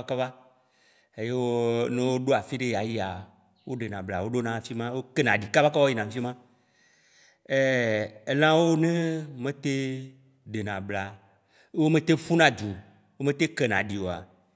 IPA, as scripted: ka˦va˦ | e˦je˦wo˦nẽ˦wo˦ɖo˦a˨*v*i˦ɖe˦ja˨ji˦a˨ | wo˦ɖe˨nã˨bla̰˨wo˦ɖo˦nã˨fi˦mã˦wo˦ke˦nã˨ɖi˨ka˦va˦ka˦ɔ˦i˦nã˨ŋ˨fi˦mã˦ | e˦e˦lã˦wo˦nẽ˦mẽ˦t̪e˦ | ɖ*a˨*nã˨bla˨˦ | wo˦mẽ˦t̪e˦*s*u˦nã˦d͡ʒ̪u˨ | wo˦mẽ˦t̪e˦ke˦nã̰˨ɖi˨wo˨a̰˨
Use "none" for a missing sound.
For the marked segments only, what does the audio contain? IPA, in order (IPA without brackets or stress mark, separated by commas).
f, e˨, f